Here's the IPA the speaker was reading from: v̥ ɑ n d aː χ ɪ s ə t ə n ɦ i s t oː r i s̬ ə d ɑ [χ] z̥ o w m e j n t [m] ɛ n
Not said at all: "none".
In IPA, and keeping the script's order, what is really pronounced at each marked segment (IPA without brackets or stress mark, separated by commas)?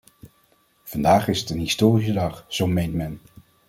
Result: χ, m